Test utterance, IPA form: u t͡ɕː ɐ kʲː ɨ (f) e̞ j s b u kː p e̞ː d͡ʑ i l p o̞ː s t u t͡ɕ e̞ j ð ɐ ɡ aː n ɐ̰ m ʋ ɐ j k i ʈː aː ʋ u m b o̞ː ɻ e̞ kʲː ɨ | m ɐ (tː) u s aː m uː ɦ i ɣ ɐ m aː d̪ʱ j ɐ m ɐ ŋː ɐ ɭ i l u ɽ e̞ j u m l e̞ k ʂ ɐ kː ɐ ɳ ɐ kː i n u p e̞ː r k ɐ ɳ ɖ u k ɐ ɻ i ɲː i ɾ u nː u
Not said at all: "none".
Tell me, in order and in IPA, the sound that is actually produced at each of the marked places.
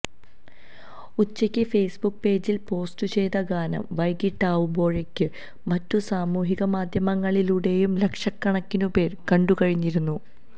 f, tː

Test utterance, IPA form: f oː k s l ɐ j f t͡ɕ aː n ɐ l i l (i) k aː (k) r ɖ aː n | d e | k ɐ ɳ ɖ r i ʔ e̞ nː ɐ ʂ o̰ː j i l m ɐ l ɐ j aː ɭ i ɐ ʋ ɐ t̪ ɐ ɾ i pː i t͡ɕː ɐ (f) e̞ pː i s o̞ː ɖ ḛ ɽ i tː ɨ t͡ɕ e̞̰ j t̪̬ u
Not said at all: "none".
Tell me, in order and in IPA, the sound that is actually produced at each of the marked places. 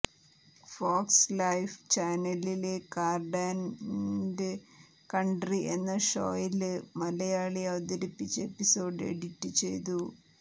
e, none, none

